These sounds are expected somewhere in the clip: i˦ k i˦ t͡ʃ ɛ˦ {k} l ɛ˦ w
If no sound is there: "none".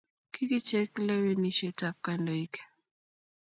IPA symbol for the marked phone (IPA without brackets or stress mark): k